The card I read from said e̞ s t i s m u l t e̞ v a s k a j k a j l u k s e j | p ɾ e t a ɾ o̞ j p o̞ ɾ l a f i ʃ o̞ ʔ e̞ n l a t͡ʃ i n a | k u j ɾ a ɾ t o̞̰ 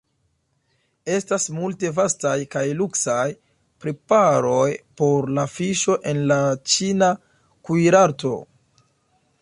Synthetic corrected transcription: e̞ s t a s m u l t e̞ v a s t a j k a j l u k s a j | p ɾ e p a ɾ o̞ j p o̞ ɾ l a f i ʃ o̞ ʔ e̞ n l a t͡ʃ i n a | k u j ɾ a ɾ t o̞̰